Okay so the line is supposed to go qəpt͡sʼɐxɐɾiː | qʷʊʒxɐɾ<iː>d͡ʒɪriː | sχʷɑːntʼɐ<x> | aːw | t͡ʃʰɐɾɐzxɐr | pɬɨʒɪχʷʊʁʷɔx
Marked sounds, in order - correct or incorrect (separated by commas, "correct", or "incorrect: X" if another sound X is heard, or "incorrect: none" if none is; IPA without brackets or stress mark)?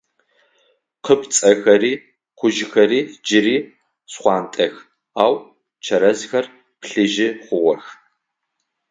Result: correct, correct